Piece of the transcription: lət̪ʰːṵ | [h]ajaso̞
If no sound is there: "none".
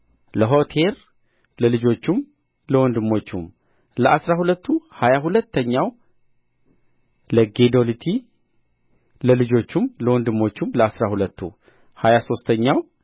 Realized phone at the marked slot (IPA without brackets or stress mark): h